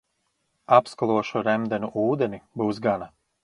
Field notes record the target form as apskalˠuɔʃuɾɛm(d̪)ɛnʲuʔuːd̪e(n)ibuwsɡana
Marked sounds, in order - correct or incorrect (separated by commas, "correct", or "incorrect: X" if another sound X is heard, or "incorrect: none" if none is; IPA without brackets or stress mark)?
correct, correct